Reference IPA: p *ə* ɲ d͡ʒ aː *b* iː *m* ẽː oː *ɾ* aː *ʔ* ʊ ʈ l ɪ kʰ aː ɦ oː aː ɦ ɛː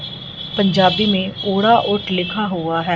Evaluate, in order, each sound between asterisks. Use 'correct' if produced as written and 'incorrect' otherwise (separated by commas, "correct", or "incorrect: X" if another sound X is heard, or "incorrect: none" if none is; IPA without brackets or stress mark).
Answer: correct, correct, correct, incorrect: ɽ, correct